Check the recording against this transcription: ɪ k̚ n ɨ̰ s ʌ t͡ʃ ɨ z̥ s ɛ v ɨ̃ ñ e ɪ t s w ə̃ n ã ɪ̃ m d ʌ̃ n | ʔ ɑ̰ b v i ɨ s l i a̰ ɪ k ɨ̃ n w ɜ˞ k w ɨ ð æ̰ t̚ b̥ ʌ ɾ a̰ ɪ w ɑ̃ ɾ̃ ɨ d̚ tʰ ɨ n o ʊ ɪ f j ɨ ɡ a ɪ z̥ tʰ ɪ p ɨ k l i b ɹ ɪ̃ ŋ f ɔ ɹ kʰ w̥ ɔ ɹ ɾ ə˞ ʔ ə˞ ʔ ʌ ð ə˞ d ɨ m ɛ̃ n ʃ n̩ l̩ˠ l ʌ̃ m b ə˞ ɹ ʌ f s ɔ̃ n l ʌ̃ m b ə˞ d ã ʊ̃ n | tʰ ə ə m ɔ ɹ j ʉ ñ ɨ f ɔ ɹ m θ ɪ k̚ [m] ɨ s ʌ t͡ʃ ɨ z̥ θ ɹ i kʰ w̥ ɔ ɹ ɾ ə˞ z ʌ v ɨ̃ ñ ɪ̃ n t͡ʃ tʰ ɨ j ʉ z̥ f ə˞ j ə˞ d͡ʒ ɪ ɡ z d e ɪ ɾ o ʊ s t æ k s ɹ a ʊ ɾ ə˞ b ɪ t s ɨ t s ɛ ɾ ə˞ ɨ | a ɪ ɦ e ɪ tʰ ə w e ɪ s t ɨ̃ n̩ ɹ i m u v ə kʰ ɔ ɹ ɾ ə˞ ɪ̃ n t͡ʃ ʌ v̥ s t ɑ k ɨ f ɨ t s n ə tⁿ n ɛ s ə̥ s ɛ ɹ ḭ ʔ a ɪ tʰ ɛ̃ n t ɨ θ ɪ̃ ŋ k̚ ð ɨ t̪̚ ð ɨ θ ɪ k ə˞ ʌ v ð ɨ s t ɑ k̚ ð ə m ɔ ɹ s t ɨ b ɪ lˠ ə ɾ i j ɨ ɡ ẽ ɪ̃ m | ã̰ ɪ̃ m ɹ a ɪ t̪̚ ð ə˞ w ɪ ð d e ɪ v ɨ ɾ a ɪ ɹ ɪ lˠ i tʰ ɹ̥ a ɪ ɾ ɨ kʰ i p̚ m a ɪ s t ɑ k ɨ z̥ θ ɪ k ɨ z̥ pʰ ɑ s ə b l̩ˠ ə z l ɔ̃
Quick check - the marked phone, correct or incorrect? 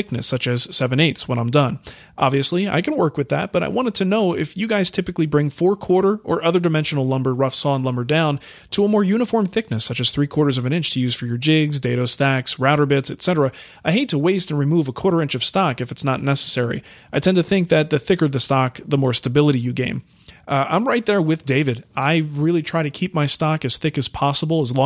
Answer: incorrect